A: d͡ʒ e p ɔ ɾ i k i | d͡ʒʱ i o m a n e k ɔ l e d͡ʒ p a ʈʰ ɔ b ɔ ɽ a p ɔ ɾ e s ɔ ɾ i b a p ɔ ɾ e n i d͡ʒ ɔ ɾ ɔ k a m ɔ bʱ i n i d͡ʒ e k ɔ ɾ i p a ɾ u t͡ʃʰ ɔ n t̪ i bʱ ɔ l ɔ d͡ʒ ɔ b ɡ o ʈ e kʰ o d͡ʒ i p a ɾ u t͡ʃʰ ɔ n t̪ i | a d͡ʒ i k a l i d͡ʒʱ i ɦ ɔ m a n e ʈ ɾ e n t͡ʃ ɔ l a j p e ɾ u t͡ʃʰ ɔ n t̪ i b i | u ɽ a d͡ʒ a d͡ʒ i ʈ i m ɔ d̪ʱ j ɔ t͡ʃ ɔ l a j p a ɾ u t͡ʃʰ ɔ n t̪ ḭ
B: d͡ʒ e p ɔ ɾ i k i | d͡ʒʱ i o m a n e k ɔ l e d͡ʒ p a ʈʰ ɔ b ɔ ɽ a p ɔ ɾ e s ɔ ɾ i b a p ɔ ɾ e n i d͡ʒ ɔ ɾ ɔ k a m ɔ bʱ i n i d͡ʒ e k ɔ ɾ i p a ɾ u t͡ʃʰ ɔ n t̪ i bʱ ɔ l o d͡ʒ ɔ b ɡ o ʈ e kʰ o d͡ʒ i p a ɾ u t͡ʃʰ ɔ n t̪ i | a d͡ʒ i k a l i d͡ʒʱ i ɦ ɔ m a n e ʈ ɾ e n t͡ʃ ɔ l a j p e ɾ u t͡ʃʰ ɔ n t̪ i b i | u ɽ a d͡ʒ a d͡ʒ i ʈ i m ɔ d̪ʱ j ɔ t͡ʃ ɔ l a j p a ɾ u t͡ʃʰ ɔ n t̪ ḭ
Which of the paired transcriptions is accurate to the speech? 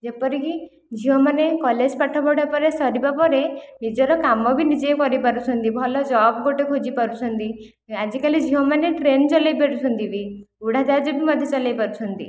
A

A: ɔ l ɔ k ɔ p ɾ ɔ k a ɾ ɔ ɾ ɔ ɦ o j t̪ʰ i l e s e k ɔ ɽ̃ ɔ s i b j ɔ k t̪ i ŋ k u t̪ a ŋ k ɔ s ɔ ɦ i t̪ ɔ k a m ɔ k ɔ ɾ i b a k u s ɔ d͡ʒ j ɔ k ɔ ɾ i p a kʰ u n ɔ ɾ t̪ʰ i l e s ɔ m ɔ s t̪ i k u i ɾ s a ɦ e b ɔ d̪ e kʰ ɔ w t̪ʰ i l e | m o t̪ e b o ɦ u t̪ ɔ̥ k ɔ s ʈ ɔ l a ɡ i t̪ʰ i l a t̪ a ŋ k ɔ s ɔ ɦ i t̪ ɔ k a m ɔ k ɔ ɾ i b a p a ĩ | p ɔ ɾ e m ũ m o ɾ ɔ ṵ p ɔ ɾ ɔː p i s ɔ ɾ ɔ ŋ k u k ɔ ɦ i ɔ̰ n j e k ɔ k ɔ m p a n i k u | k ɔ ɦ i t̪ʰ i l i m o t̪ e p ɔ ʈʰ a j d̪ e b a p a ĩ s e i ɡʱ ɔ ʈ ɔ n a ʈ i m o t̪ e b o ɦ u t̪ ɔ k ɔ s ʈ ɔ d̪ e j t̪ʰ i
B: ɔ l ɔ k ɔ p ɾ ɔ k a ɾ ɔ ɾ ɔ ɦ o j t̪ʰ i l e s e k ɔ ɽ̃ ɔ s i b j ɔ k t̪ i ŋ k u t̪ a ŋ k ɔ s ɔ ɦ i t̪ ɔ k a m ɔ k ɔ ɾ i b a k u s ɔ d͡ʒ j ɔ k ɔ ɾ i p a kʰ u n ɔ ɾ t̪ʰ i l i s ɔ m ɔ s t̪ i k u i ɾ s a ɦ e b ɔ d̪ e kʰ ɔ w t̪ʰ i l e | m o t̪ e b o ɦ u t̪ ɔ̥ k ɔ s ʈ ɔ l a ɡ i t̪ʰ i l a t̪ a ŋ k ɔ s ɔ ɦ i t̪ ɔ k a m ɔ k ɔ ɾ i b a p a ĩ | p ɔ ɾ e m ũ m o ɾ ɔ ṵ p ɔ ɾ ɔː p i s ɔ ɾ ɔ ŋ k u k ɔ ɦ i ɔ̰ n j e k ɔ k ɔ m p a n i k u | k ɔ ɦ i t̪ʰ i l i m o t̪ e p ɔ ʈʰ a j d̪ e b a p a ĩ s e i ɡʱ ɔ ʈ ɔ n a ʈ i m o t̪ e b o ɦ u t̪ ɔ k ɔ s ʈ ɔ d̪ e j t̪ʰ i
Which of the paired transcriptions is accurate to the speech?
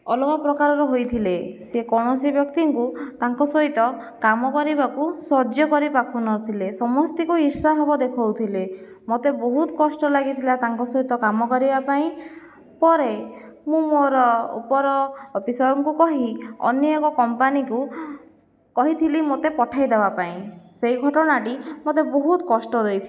A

